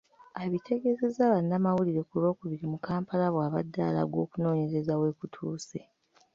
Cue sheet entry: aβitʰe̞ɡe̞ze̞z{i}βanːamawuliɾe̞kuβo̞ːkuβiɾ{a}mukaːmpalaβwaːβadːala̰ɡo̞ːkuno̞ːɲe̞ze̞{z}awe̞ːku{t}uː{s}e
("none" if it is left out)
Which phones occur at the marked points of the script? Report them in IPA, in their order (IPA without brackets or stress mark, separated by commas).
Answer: a, i, z, tʰ, s